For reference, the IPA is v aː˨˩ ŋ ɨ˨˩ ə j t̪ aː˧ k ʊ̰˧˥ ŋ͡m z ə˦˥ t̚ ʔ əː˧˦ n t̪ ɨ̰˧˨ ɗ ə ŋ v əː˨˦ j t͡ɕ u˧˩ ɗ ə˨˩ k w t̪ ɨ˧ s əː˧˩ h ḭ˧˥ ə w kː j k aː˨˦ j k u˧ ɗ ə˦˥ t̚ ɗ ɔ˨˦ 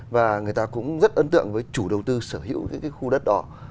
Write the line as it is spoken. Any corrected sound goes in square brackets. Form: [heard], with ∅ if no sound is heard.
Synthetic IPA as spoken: v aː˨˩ ŋ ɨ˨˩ ə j t̪ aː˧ k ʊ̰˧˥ ŋ͡m z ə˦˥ t̚ ʔ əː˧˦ n t̪ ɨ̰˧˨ [∅] ə ŋ v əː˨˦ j t͡ɕ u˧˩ ɗ ə˨˩ [∅] w t̪ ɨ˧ s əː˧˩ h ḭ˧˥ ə w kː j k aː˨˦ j [x] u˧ ɗ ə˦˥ t̚ ɗ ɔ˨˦